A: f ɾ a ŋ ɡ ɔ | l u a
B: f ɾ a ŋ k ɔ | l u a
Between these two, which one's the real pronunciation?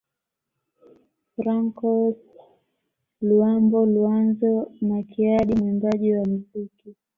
B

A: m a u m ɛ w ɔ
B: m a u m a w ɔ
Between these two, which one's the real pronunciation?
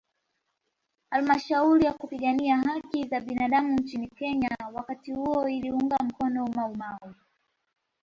B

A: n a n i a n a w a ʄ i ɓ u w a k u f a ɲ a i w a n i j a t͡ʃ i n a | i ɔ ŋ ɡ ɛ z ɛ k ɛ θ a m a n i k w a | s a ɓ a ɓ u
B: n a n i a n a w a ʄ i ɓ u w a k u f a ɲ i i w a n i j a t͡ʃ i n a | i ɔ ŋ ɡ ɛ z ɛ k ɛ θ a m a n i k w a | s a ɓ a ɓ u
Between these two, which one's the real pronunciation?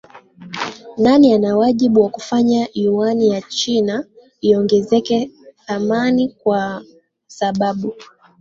A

